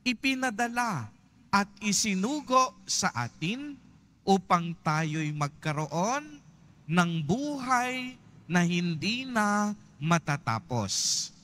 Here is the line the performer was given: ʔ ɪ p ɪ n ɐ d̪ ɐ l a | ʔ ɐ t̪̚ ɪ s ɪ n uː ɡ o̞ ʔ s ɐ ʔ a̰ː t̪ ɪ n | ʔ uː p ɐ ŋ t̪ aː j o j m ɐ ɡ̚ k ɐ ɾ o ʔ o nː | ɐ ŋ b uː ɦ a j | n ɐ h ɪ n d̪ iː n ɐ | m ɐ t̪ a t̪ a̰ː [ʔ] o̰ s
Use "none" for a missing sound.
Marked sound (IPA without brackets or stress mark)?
p